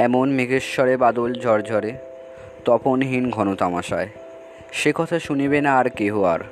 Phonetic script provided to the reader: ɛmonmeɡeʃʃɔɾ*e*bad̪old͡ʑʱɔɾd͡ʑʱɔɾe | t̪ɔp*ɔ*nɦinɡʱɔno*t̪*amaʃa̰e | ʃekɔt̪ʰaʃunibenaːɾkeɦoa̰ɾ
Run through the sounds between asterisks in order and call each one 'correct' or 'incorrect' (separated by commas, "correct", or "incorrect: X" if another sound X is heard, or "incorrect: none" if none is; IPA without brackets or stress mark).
correct, incorrect: o, correct